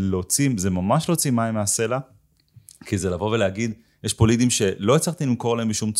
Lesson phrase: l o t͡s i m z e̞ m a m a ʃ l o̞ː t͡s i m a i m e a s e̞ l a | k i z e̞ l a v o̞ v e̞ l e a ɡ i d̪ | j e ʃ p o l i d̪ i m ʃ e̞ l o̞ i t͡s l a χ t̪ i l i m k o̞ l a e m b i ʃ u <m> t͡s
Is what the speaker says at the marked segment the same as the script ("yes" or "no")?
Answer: yes